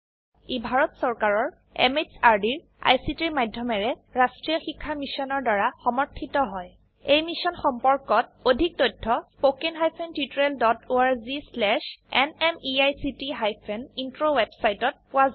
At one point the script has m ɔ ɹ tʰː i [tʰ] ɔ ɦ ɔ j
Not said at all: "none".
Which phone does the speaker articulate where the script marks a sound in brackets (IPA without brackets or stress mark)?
t